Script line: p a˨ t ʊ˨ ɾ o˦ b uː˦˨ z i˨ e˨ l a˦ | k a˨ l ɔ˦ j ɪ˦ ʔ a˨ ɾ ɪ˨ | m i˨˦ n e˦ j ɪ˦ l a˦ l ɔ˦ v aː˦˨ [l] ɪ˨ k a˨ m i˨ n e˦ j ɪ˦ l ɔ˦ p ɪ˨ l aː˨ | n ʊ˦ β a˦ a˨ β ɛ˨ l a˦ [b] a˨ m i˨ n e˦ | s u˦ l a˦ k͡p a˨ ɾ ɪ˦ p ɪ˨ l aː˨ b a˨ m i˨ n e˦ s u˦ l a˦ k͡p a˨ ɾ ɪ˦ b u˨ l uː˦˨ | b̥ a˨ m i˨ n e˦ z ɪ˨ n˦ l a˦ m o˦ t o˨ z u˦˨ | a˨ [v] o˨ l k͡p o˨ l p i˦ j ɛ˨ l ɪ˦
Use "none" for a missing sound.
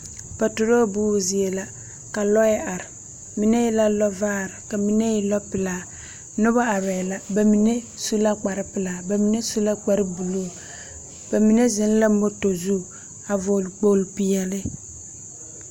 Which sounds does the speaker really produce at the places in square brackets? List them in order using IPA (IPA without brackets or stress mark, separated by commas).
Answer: ɾ, b, v